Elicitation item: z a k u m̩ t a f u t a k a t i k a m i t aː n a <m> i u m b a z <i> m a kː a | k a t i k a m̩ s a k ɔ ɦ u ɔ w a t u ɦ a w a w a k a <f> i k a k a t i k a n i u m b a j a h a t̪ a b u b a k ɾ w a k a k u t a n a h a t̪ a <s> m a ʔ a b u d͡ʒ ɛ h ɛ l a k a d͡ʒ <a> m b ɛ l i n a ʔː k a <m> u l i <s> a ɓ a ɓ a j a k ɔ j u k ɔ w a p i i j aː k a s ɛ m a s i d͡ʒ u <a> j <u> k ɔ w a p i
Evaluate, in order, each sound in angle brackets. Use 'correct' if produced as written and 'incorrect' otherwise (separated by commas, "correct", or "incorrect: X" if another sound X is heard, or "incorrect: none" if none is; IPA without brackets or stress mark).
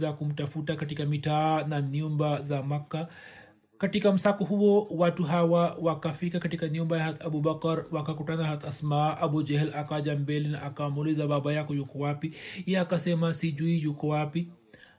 incorrect: n, incorrect: a, correct, correct, correct, correct, incorrect: z, incorrect: i, correct